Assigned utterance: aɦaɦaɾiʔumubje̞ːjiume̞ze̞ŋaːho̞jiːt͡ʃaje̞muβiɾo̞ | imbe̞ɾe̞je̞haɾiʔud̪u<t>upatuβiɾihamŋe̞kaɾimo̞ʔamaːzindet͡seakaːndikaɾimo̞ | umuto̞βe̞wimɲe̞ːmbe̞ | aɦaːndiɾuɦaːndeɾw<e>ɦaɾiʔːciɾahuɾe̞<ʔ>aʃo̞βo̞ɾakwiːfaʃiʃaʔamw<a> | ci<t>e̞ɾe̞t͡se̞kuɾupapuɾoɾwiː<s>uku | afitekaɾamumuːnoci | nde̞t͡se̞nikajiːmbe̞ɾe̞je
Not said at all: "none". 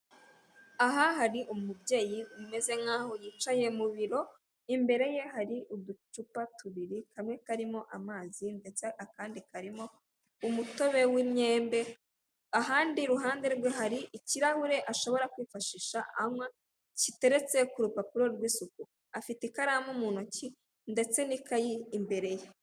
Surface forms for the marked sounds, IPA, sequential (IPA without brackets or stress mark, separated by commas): t͡ʃ, e, ʔ, a, t, s